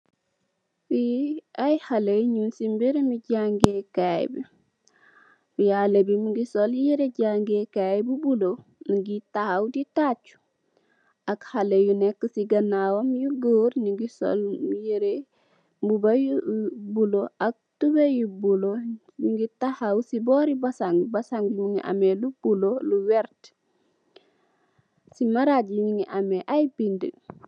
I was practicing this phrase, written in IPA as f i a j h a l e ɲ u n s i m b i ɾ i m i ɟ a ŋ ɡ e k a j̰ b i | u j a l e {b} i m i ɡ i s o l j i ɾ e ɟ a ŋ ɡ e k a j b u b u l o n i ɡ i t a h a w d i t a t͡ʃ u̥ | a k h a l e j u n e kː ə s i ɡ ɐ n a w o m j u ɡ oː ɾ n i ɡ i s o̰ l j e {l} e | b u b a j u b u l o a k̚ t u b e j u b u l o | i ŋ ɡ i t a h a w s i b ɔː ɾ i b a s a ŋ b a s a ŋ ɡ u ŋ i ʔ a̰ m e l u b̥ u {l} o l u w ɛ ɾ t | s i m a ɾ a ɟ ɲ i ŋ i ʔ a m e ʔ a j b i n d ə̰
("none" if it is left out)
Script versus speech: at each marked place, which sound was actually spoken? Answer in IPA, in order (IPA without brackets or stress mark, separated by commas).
b, ɾ, l